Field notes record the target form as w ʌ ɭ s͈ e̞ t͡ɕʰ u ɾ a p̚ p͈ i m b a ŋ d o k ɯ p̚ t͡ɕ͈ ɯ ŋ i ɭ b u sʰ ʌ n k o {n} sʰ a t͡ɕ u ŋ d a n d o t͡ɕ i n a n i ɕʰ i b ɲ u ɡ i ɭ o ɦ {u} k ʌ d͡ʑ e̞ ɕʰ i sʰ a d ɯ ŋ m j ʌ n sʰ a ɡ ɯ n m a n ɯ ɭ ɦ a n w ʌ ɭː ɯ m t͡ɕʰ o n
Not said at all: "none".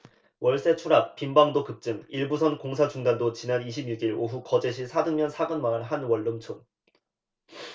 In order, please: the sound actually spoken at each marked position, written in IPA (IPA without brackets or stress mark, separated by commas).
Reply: ŋ, u